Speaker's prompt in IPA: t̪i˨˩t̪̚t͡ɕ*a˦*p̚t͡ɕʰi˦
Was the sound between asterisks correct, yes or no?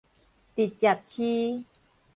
no